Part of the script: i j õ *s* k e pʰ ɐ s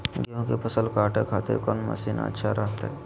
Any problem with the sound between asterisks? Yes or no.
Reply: yes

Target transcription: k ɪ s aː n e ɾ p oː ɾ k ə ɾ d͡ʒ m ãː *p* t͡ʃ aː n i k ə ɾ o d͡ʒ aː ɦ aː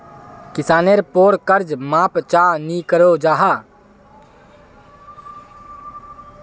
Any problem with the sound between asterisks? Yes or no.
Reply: no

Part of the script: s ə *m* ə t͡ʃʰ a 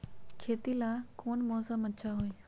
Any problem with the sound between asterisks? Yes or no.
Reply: no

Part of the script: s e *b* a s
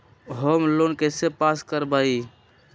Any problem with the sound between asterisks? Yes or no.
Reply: yes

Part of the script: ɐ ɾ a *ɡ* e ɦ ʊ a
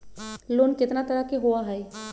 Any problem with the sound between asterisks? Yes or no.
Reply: yes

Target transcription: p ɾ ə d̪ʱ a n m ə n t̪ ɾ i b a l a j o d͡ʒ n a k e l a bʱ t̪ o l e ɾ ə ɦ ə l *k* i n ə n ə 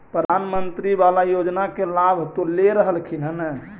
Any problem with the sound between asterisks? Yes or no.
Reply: yes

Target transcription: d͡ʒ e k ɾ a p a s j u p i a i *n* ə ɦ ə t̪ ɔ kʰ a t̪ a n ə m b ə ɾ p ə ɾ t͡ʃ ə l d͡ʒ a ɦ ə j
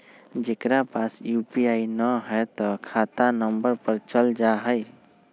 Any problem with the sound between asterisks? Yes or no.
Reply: no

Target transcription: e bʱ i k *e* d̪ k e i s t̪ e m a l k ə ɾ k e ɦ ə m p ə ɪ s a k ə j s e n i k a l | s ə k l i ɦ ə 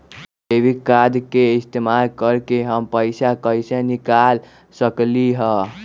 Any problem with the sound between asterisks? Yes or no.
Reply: yes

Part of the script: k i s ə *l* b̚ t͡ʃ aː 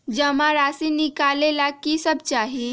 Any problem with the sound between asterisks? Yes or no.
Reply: yes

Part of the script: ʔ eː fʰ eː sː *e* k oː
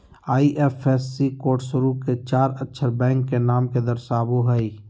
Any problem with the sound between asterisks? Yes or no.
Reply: yes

